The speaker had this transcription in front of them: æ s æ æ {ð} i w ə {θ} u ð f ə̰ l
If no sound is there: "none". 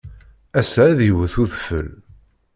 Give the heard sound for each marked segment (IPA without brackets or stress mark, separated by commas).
ð, θ